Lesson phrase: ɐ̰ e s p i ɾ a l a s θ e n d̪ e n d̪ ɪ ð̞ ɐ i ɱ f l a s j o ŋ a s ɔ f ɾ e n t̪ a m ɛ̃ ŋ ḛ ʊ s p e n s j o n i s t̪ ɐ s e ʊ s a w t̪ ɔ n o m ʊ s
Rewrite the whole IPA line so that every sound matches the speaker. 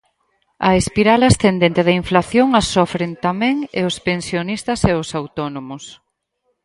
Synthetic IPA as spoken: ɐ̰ e s p i ɾ a l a s θ e n d̪ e n t̪ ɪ ð̞ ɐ i ɱ f l a θ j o ŋ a s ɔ f ɾ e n t̪ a m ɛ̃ ŋ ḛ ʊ s p e n s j o n i s t̪ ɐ s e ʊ s a w t̪ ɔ n o m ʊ s

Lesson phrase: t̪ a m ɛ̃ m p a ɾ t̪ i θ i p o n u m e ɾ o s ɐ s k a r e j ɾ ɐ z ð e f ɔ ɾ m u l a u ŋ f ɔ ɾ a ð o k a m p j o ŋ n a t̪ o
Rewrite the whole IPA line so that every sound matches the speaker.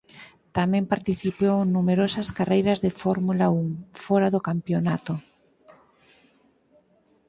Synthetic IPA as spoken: t̪ a m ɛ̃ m p a ɾ t̪ i θ i p o n u m e ɾ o s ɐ s k a r e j ɾ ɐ z ð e f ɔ ɾ m u l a u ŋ f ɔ ɾ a ð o k a m p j o n a t̪ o

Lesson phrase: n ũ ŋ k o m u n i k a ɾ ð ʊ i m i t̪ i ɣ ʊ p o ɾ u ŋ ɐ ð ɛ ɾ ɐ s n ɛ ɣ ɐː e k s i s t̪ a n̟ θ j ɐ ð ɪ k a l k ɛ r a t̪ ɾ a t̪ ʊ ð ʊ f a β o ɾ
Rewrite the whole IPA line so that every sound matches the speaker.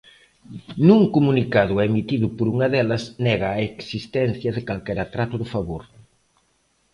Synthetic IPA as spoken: n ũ ŋ k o m u n i k a ð ʊ ɛ m i t̪ i ð ʊ p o ɾ u ŋ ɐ ð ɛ l ɐ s n ɛ ɣ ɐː e k s i s t̪ ɛ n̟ θ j ɐ ð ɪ k a l k ɛ ɾ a t̪ ɾ a t̪ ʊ ð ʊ f a β o ɾ

